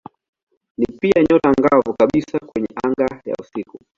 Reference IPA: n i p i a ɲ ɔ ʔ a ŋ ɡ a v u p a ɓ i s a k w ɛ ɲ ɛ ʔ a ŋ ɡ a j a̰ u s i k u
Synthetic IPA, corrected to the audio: n i p i a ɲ ɔ t a ŋ ɡ a v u k a ɓ i s a k w ɛ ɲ ɛ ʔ a ŋ ɡ a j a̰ u s i k u